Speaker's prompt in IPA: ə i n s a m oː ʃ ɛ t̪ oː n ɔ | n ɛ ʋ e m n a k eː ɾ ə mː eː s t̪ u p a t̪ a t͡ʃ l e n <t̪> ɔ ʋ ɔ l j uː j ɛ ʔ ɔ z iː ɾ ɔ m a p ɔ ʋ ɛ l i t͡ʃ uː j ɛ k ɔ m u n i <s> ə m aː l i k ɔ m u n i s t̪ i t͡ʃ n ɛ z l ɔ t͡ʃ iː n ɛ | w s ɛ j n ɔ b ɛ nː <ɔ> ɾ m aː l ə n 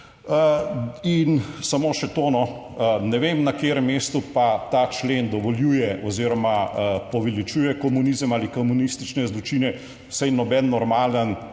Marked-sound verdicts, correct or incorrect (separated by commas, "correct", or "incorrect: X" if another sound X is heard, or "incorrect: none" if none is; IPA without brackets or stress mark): incorrect: d̪, incorrect: z, correct